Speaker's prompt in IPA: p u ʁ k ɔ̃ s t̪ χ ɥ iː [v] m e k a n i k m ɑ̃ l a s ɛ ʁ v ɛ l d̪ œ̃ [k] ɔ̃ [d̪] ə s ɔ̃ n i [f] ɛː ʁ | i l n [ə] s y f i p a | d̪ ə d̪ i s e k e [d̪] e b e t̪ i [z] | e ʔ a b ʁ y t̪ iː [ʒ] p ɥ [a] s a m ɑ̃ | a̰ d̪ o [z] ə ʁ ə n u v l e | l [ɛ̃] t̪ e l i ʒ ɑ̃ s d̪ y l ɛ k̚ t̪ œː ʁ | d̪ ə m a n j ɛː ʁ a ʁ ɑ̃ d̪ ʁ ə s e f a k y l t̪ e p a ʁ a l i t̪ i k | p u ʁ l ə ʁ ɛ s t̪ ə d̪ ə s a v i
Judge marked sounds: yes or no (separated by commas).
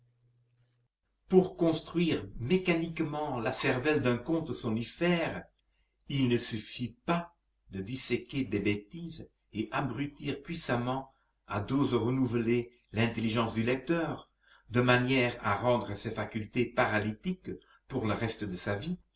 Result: no, yes, no, yes, yes, yes, yes, no, no, yes, yes